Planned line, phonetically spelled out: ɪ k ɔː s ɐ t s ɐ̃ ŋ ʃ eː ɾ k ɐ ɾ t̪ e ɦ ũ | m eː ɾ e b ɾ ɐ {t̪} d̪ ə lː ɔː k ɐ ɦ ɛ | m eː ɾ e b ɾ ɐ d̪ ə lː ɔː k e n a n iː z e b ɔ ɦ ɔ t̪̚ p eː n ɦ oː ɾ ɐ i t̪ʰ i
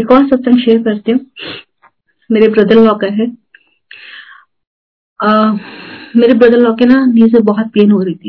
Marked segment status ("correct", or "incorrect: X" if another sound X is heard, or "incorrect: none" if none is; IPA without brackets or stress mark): incorrect: none